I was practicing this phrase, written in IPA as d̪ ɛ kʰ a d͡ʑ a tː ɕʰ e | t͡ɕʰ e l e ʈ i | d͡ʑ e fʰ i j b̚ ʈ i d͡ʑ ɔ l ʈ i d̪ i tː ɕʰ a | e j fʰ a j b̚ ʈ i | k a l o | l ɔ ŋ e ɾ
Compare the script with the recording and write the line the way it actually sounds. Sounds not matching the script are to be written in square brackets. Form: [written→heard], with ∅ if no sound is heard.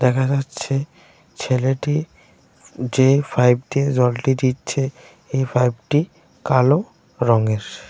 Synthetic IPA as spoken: d̪ ɛ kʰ a d͡ʑ a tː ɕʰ e | t͡ɕʰ e l e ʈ i | d͡ʑ e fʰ [i→a] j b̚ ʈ i d͡ʑ ɔ l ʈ i d̪ i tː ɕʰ [a→e] | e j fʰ a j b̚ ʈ i | k a l o | [l→ɾ] ɔ ŋ e ɾ